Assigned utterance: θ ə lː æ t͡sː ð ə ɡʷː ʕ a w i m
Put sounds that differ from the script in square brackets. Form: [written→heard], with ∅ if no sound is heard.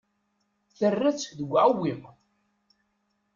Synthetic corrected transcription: θ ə [lː→rː] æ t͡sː ð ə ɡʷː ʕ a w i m